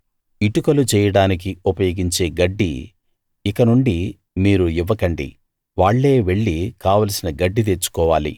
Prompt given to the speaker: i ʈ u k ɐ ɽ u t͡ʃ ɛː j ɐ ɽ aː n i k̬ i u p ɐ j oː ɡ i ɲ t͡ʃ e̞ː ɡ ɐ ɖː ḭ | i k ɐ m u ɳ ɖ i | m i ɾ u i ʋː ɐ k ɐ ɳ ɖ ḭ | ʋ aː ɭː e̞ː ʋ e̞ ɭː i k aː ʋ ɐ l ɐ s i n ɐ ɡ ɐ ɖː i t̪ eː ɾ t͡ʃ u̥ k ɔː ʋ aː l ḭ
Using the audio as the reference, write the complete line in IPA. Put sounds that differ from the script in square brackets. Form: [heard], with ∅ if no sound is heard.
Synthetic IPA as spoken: i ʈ u k ɐ [l] u t͡ʃ ɛː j ɐ ɽ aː n i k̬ i u p ɐ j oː ɡ i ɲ t͡ʃ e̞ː ɡ ɐ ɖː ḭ | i k ɐ [n] u ɳ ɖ i | m [iː] ɾ u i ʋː ɐ k ɐ ɳ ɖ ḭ | ʋ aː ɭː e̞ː ʋ e̞ ɭː i k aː ʋ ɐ l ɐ s i n ɐ ɡ ɐ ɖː i t̪ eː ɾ t͡ʃ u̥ k ɔː ʋ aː l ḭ